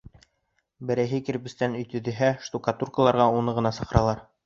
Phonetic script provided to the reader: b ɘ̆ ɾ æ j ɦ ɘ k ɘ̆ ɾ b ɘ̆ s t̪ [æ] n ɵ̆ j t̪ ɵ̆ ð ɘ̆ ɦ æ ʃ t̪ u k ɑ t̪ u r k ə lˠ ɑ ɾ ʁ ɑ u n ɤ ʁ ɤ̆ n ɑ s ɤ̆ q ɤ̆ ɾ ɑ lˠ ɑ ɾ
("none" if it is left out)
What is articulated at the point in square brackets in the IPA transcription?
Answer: æ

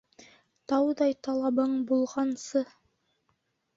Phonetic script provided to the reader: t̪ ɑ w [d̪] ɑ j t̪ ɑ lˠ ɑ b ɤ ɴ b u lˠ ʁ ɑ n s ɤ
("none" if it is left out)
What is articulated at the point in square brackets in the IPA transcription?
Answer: d̪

